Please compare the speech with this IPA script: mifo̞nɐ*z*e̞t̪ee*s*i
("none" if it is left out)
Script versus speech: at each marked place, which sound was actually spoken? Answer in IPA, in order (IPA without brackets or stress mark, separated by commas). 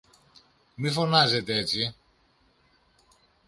z, t͡s